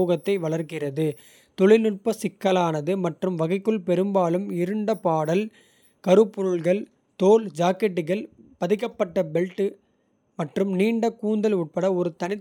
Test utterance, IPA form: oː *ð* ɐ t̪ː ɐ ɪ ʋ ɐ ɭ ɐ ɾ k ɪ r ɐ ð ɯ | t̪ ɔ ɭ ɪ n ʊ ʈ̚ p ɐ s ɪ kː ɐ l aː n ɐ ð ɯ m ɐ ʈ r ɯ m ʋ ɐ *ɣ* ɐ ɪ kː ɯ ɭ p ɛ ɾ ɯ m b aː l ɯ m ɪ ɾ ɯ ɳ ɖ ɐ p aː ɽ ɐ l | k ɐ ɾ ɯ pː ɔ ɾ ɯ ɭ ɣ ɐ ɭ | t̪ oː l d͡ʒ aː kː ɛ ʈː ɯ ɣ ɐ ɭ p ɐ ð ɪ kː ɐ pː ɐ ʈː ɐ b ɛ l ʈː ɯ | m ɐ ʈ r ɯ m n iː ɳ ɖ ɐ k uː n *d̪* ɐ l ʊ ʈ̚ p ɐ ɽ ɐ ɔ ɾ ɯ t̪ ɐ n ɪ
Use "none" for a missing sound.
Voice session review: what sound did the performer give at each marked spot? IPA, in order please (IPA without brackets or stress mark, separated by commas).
ɣ, ɣ, d̪